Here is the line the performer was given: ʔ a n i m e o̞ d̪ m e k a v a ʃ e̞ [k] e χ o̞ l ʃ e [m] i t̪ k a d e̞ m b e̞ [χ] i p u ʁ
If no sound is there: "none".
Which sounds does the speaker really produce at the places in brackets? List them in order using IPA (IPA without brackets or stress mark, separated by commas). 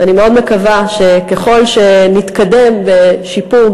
k, n, ʃ